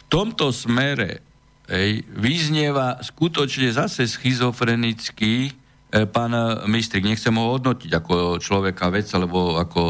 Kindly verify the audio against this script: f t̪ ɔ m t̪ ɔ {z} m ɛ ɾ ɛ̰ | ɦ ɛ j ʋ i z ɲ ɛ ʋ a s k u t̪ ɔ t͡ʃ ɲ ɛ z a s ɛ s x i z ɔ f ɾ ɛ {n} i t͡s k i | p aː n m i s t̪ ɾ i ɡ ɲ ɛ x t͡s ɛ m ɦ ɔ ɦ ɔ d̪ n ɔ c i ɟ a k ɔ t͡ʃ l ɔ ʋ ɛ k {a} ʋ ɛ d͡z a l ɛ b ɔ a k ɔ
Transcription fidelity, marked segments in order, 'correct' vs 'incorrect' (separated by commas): incorrect, correct, correct